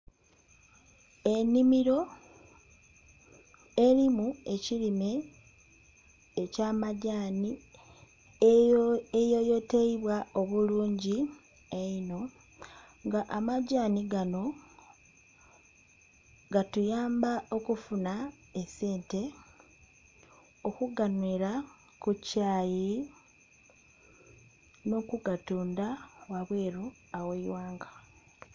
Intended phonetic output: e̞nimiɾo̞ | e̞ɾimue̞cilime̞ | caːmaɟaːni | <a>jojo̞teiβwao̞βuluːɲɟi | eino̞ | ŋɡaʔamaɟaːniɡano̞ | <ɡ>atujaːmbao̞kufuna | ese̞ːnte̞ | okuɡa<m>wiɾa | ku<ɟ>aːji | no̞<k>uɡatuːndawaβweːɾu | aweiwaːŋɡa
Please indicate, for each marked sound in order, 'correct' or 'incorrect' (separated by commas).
incorrect, correct, incorrect, incorrect, correct